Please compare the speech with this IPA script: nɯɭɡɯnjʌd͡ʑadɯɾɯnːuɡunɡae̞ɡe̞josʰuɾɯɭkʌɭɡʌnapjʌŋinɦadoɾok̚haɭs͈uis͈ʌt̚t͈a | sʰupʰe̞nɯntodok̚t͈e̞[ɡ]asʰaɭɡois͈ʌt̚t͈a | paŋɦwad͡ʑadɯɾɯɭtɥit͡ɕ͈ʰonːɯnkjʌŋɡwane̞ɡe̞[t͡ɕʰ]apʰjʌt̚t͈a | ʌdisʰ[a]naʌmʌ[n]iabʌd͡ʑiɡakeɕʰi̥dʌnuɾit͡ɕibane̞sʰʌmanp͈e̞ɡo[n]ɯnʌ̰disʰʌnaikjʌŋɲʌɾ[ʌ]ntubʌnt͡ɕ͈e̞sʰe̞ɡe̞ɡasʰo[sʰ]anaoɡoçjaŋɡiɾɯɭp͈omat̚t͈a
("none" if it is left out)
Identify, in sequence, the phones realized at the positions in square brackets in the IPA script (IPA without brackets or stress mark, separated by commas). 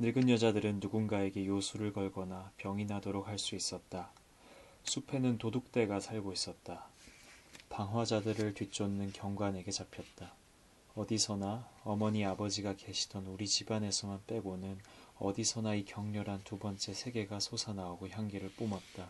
ɡ, t͡ɕ, ʌ, ɲ, n, a, sʰ